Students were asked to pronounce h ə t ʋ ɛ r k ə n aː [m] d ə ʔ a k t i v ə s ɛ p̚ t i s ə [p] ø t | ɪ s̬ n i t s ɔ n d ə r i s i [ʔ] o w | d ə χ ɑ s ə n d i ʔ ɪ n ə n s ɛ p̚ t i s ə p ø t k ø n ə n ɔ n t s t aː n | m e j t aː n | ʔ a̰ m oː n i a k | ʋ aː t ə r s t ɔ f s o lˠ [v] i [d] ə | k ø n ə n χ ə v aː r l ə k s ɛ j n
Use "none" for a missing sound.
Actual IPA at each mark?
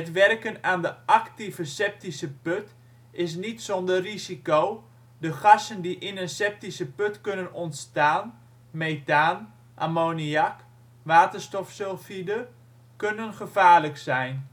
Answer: n, p, k, f, d

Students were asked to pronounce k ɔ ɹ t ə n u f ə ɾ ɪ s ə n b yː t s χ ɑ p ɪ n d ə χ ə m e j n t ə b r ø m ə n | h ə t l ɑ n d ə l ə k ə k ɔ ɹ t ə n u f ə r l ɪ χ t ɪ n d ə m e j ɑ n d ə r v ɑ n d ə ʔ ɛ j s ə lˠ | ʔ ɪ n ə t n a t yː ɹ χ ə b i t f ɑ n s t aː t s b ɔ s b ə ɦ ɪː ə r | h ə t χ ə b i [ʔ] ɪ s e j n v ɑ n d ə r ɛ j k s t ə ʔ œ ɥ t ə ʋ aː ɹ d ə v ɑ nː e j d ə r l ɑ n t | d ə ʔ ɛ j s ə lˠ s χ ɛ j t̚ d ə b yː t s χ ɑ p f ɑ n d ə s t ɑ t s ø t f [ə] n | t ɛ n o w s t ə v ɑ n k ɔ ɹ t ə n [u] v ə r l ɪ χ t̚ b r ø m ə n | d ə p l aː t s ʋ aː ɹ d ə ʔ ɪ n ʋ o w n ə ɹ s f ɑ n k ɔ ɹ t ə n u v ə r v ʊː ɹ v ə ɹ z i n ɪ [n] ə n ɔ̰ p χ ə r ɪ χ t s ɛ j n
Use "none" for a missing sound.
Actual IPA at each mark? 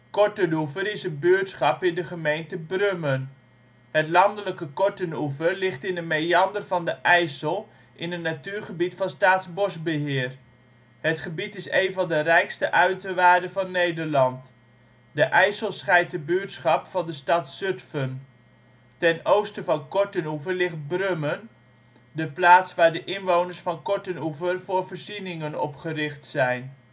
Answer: t, ə, u, ŋ

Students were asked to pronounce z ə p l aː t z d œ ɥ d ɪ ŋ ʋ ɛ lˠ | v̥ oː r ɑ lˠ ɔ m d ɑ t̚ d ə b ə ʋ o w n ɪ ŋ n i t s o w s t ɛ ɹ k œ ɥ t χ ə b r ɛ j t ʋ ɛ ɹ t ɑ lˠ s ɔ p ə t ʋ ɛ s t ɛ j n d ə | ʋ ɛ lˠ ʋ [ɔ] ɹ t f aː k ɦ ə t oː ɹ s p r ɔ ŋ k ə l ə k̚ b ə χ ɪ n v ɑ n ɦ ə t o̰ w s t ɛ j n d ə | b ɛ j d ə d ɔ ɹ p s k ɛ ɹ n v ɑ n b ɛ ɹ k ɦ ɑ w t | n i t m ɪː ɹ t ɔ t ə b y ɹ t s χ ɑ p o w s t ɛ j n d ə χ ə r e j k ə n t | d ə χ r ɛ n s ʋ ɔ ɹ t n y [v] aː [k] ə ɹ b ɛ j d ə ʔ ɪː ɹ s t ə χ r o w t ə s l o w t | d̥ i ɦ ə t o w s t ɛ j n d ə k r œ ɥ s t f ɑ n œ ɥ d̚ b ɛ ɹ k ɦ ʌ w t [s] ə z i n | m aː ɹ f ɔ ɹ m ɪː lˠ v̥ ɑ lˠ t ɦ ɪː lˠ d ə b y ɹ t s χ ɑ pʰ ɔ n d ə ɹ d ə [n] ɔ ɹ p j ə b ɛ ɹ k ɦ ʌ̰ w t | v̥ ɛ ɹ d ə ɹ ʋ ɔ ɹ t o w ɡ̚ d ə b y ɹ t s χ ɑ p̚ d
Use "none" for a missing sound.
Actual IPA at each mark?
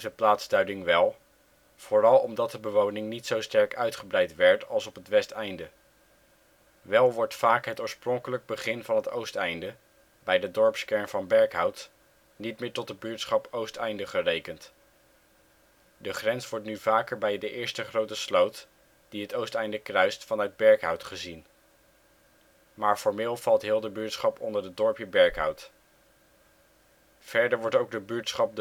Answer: ɔ, v, k, χ, d

